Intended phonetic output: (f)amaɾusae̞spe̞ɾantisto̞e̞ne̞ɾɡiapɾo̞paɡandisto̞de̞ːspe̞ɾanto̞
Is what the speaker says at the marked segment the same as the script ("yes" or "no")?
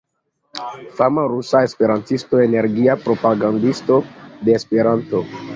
yes